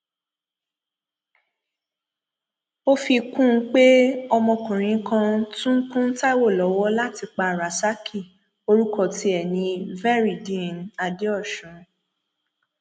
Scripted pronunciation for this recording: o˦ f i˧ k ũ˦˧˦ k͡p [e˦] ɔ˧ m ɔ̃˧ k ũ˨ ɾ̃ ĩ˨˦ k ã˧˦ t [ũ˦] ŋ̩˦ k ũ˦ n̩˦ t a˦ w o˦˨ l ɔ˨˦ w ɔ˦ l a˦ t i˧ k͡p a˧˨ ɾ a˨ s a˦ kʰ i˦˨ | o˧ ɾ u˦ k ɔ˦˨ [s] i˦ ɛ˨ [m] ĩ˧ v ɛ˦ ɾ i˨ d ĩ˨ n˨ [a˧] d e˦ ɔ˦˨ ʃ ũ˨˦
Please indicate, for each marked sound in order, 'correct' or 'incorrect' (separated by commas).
correct, correct, incorrect, incorrect, correct